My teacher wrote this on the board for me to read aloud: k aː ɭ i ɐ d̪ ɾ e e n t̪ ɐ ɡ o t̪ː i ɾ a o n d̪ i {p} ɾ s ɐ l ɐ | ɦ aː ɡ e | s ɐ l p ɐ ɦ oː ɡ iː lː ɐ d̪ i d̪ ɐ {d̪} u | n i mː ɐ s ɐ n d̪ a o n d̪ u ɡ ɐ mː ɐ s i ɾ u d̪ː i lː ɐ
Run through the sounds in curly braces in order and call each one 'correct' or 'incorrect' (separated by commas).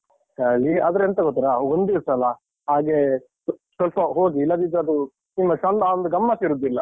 incorrect, correct